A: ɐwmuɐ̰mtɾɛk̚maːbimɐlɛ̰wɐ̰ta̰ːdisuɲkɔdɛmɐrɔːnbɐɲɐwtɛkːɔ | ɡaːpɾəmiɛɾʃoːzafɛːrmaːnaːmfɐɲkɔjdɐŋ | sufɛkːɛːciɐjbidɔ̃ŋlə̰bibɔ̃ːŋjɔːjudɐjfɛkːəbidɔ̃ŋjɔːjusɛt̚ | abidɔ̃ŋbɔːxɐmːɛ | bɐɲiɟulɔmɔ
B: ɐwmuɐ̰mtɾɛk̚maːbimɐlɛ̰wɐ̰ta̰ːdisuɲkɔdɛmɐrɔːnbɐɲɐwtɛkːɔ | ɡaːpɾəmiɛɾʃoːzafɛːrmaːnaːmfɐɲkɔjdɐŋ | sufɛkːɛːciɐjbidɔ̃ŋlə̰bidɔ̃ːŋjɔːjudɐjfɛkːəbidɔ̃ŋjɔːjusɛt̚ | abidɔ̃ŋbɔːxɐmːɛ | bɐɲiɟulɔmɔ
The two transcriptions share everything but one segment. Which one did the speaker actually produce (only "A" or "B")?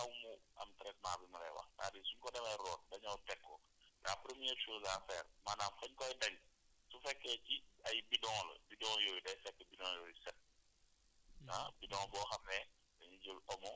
B